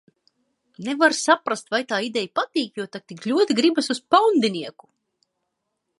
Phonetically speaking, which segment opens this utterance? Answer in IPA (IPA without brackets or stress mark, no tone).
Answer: n